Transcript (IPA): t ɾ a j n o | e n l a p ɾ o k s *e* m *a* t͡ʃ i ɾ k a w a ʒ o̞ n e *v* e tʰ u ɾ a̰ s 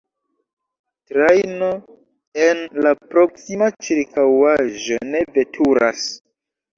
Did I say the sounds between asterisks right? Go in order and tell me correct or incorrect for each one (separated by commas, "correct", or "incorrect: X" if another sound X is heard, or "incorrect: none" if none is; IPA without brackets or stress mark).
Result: incorrect: i, correct, correct